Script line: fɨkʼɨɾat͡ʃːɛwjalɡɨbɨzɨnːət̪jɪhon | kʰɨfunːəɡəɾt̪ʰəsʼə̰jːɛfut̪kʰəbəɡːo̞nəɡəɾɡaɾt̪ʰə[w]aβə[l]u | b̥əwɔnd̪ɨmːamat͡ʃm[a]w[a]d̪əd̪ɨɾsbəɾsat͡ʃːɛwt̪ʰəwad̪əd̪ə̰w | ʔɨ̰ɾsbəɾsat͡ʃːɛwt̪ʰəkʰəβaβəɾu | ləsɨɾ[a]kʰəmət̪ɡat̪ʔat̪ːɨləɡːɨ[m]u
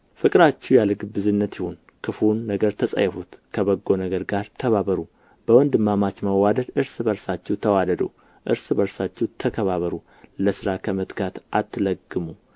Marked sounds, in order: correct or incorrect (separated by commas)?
incorrect, incorrect, incorrect, correct, correct, correct